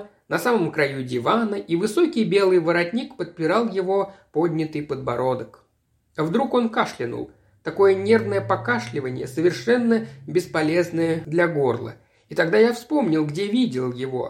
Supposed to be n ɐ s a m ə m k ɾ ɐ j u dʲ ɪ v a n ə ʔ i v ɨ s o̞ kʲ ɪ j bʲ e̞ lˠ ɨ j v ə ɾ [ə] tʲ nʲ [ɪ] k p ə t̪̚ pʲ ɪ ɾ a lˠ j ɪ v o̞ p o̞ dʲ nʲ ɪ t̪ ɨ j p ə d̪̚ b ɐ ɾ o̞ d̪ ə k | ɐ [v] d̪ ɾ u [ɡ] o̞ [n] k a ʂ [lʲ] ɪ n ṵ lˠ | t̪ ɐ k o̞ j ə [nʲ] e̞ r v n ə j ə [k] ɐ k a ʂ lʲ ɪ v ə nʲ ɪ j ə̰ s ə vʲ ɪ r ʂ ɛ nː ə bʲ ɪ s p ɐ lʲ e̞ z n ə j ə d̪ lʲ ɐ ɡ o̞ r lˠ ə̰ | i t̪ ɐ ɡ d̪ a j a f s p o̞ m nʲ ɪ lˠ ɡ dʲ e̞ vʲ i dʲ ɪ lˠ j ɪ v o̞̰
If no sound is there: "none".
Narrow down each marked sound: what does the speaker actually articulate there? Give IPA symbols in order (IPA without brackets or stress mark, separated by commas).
ɐ, i, v, k, n, lʲ, nʲ, p